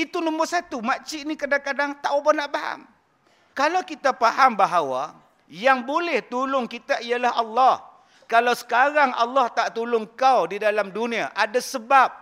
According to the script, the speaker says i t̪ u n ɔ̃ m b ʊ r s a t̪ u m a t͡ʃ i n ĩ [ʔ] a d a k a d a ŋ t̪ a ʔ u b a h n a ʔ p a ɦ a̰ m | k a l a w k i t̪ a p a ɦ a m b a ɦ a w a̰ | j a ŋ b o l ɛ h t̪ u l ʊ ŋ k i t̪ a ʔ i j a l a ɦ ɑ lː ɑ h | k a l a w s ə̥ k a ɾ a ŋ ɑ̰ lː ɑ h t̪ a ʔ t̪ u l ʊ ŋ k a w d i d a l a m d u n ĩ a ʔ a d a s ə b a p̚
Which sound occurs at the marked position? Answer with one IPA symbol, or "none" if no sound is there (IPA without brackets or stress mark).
k